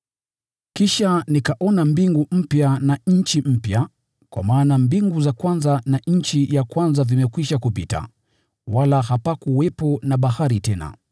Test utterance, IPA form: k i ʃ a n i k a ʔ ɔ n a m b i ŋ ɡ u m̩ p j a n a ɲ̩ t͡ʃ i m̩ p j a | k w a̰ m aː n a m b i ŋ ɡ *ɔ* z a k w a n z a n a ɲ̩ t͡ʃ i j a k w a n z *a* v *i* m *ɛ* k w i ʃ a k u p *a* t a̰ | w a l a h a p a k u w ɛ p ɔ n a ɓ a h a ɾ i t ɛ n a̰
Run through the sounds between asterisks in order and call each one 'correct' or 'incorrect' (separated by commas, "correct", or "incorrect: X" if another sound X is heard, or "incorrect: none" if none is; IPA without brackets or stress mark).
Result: incorrect: u, correct, correct, correct, incorrect: i